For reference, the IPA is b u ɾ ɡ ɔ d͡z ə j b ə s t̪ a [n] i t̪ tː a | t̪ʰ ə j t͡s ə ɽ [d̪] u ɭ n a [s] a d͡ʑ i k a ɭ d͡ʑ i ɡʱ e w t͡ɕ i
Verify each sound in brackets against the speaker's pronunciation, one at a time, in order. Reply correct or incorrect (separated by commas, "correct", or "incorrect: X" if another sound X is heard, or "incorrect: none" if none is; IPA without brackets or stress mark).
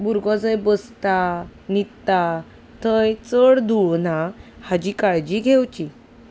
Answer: correct, correct, incorrect: h